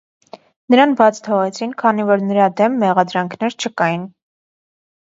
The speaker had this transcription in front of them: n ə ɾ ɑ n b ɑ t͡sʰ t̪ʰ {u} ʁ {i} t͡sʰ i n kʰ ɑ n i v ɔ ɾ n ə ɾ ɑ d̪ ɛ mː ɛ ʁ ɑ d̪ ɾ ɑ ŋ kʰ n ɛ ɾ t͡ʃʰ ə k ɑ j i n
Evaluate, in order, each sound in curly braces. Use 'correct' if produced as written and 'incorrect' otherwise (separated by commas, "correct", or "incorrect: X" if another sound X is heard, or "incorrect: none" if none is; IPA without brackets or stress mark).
incorrect: ɔ, incorrect: ɛ